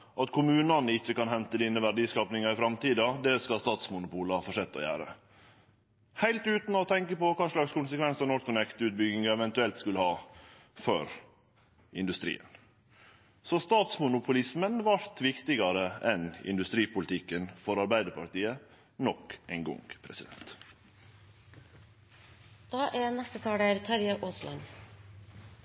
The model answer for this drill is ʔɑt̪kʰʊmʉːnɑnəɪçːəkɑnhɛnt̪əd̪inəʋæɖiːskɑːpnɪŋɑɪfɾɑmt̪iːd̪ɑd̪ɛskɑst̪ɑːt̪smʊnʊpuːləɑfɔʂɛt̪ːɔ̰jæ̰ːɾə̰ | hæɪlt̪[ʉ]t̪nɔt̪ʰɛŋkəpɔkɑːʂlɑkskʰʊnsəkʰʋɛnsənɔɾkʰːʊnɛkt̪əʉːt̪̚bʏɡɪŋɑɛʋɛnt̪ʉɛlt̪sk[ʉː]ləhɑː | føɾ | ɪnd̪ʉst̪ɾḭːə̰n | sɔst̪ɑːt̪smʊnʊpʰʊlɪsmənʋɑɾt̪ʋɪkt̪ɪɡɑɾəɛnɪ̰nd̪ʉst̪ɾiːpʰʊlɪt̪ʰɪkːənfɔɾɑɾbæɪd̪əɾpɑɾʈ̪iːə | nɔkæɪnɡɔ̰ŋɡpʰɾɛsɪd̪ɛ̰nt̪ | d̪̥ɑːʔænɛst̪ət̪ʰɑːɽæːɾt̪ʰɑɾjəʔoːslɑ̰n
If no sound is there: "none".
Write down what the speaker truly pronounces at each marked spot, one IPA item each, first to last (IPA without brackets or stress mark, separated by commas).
ʉː, ʉ